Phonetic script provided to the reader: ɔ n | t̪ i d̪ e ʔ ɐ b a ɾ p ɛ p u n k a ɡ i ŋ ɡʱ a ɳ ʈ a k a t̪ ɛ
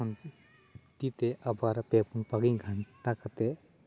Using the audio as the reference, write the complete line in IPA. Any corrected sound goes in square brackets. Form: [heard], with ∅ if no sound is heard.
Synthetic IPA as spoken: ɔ n | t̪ i [t̪] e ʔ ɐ b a ɾ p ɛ p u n [p] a ɡ i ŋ ɡʱ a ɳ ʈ a k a t̪ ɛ